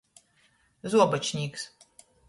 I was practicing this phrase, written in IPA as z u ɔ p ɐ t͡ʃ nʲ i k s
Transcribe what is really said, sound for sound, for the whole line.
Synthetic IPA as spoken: z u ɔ b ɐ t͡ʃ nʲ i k s